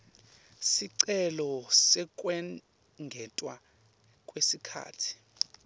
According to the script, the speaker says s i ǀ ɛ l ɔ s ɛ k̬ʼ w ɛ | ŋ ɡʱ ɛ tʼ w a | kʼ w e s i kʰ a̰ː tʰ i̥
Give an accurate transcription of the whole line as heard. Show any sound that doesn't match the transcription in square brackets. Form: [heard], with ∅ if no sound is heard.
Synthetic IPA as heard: s i ǀ ɛ l ɔ s ɛ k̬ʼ w ɛ | ŋ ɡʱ ɛ tʼ w a | kʼ w e s i kʰ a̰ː tʰ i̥